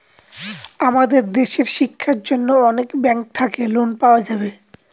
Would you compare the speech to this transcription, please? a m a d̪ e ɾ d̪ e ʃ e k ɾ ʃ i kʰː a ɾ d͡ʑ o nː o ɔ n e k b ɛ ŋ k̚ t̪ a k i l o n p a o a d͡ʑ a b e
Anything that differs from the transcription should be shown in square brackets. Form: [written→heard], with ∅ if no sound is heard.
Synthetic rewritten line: a m a d̪ e ɾ d̪ e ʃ e [k→∅] ɾ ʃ i kʰː a ɾ d͡ʑ o nː o ɔ n e k b ɛ ŋ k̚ [t̪→t̪ʰ] a k [i→e] l o n p a o a d͡ʑ a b e

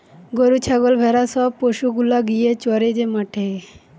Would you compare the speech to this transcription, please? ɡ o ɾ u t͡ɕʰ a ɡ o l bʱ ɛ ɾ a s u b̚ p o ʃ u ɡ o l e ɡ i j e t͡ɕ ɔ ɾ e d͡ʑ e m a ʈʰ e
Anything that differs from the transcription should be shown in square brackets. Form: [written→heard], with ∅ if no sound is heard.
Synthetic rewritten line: ɡ o ɾ u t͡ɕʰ a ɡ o l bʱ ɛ ɾ a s [u→ɔ] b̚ p o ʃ u ɡ [o→u] l [e→a] ɡ i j e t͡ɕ ɔ ɾ e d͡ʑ e m a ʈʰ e

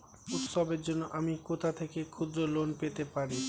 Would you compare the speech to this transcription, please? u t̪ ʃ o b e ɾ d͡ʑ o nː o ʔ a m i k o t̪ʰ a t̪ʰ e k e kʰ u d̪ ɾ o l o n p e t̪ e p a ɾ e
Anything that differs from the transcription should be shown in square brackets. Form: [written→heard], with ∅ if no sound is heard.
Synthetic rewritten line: u t̪ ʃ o b e ɾ d͡ʑ o nː o ʔ a m i k o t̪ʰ a t̪ʰ e k e kʰ u d̪ ɾ o l o n p e t̪ e p a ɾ [e→i]

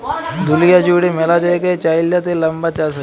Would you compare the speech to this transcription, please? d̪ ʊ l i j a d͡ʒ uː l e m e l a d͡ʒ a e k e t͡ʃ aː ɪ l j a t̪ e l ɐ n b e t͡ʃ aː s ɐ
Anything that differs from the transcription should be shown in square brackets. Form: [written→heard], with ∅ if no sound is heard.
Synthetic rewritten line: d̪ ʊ l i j a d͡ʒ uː [l→ɽ] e m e l a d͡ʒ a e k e t͡ʃ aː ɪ l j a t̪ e l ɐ [n→m] b [e→a] t͡ʃ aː s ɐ

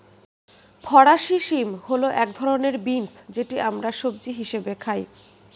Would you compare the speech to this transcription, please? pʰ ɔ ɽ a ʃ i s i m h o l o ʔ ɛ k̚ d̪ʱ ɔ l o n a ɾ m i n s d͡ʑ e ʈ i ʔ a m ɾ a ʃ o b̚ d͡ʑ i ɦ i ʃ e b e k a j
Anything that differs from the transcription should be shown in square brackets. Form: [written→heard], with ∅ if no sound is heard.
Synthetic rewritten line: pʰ ɔ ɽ a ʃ i [s→ʃ] i m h o l o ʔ ɛ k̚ d̪ʱ ɔ [l→ɾ] o n [a→e] ɾ [m→b] i n s d͡ʑ e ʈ i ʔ a m ɾ a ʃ o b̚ d͡ʑ i ɦ i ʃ e b e [k→kʰ] a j

